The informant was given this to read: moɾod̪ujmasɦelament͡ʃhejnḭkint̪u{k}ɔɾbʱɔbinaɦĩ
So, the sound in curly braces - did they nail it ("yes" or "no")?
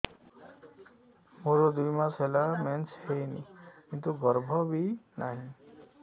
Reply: no